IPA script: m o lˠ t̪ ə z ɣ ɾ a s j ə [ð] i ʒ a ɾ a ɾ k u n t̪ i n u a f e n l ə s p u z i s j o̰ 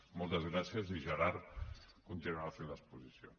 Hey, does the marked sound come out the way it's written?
no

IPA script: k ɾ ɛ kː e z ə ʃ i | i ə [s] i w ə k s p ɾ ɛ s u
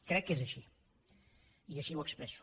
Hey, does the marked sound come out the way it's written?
no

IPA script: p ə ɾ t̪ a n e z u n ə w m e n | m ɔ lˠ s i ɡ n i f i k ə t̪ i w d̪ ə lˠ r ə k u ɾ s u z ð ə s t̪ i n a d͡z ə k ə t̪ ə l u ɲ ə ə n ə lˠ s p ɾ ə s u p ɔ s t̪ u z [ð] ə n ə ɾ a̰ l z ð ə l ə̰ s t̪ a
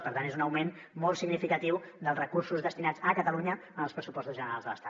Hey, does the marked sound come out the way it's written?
no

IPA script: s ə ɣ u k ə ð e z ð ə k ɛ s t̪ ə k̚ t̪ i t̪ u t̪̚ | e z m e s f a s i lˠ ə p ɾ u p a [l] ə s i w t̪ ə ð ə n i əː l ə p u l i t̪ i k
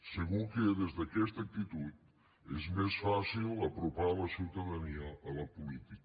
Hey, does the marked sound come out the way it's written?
yes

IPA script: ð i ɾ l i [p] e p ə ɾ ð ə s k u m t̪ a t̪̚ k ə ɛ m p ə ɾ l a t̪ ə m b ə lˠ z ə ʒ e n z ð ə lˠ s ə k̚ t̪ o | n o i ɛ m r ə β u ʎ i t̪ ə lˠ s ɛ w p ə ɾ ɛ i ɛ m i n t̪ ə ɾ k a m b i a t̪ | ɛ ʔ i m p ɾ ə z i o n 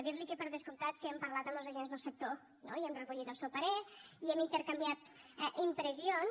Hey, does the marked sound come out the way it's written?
no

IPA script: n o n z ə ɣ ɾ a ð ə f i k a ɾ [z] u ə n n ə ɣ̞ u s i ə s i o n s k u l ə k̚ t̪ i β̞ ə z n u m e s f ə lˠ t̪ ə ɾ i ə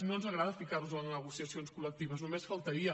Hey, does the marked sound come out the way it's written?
yes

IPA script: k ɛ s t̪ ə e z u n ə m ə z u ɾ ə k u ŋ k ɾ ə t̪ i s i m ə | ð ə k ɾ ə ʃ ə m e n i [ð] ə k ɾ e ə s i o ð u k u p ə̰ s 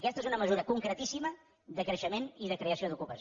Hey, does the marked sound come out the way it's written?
yes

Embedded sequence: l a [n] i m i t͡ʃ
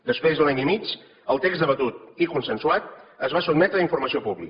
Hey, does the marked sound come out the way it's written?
no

